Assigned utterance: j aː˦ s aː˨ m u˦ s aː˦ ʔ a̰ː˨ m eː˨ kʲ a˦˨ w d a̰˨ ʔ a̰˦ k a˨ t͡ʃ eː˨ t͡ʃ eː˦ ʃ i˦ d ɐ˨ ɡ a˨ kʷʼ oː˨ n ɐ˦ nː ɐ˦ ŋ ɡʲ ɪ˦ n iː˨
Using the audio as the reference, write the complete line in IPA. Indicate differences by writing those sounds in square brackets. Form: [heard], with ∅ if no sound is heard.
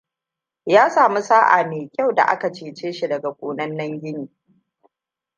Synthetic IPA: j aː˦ s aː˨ m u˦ s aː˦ ʔ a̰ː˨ m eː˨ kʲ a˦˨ w d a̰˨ ʔ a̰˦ k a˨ t͡ʃ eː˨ t͡ʃ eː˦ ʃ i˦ d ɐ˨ ɡ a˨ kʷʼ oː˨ n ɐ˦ nː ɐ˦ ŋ ɡʲ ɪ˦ n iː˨